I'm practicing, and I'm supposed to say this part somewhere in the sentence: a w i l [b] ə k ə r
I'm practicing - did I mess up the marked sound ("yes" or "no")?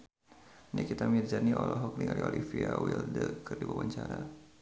yes